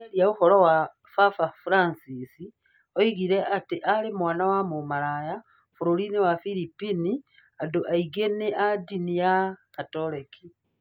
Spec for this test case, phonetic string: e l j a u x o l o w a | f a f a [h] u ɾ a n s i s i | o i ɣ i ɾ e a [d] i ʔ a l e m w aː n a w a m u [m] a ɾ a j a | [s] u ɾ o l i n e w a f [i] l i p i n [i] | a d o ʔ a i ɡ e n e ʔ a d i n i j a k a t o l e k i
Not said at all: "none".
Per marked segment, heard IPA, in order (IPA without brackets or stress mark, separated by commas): f, t, m, f, i, i